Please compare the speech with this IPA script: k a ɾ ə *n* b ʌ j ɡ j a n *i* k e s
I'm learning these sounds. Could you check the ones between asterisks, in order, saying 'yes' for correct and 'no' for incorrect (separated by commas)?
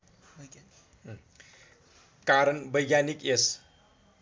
yes, yes